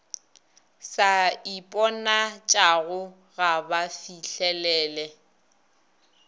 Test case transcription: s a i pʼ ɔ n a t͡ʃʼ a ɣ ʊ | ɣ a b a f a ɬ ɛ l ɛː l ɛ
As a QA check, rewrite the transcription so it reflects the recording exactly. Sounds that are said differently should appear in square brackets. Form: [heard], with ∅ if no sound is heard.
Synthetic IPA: s a i pʼ ɔ n a t͡ʃʼ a ɣ ʊ | ɣ a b a f [i] ɬ ɛ l ɛː l ɛ